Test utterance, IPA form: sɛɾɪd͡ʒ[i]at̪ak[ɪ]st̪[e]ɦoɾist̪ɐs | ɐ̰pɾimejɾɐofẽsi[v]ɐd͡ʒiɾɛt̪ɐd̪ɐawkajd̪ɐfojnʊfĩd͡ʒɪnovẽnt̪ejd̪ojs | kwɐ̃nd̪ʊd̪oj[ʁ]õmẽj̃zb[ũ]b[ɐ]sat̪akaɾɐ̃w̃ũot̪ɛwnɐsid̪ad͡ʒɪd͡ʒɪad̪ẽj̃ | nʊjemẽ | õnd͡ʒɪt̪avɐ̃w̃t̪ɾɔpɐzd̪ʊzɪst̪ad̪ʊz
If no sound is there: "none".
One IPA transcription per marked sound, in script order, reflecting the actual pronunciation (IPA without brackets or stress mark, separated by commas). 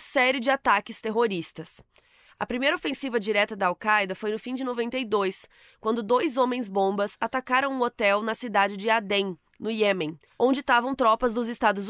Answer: ɪ, ɪ, e, v, z, õ, ɐ